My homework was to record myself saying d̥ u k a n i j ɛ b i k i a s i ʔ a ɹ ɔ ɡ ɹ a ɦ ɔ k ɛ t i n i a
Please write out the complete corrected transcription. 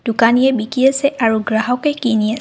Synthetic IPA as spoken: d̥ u k a n i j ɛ b i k i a s ɛ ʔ a ɹ u ɡ ɹ a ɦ ɔ k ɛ k i n i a